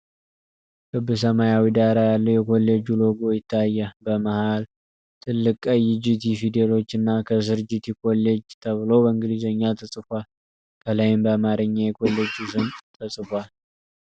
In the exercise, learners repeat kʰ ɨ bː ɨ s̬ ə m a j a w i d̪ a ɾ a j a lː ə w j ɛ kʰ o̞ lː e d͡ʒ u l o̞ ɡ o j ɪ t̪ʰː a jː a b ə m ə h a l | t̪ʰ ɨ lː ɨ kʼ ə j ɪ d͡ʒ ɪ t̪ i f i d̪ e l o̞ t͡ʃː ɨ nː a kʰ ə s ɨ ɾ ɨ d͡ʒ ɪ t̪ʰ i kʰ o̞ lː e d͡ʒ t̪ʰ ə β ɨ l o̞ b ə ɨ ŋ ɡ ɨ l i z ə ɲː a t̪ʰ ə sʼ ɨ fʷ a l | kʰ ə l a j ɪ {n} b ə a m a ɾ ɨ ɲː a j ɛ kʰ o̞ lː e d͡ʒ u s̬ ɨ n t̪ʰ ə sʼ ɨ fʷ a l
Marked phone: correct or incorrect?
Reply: incorrect